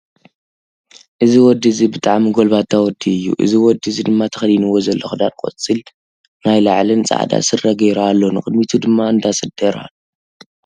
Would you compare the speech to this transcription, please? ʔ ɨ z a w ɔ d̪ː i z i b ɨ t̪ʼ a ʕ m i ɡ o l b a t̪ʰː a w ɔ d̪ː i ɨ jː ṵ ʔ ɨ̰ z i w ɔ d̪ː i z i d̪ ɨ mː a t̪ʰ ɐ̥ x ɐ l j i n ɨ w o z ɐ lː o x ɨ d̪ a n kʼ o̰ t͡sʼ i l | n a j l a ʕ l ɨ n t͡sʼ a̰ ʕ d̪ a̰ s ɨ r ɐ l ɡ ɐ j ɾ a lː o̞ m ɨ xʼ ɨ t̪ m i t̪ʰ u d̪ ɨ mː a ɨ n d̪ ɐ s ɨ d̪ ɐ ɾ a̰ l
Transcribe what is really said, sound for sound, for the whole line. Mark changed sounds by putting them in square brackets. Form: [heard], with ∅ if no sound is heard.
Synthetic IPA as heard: ʔ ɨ z [i] w ɔ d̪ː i z i b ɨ t̪ʼ a ʕ m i ɡ o l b a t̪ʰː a w ɔ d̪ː i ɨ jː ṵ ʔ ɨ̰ z i w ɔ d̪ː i z i d̪ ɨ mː a t̪ʰ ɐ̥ x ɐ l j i n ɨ w o z ɐ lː o x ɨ d̪ a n kʼ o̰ t͡sʼ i l | n a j l a ʕ l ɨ n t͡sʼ a̰ ʕ d̪ a̰ s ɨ r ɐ [∅] ɡ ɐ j ɾ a lː o̞ [n] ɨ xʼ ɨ [d̪] m i t̪ʰ u d̪ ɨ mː a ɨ n d̪ [a] s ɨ d̪ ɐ ɾ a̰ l